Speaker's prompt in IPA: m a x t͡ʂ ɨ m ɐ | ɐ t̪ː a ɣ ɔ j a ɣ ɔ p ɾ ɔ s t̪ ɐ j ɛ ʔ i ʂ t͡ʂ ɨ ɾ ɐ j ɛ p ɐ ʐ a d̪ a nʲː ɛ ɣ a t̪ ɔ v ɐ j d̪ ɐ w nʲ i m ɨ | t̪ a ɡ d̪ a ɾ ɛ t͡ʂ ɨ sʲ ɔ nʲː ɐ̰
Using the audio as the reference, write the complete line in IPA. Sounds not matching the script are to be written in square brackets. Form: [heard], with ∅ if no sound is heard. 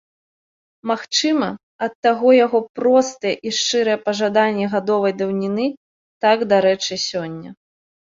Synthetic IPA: m a x t͡ʂ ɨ m ɐ | ɐ t̪ː a ɣ ɔ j a ɣ ɔ p ɾ ɔ s t̪ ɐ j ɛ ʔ i ʂ t͡ʂ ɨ ɾ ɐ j ɛ p ɐ ʐ a d̪ a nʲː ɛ ɣ a [d̪] ɔ v ɐ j d̪ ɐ w nʲ i [n] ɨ | t̪ a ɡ d̪ a ɾ ɛ t͡ʂ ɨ sʲ ɔ nʲː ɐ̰